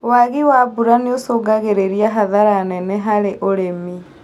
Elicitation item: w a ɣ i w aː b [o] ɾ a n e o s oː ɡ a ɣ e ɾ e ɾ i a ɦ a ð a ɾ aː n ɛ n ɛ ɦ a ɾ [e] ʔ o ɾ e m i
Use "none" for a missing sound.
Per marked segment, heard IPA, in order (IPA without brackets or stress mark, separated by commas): u, e